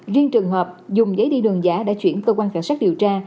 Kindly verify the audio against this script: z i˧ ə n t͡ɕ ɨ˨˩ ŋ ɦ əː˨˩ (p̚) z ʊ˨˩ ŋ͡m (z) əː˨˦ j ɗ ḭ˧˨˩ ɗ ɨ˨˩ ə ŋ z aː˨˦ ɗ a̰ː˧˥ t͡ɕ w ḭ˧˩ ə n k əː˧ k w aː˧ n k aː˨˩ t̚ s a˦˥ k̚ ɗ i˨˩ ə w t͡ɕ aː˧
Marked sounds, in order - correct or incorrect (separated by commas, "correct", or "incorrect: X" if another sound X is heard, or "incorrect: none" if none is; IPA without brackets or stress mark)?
correct, correct